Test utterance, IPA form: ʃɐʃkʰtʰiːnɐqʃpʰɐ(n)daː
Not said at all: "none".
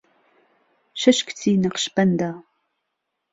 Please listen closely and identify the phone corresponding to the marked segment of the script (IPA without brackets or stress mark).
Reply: n